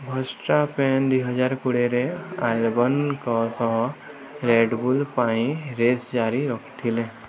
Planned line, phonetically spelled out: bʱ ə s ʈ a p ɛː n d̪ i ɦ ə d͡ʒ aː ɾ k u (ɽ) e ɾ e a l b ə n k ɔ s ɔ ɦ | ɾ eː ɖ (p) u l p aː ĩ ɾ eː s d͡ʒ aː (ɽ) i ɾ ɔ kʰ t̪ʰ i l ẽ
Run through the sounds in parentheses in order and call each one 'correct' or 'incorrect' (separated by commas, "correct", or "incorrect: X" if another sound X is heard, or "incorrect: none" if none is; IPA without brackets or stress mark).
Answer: correct, incorrect: b, incorrect: ɾ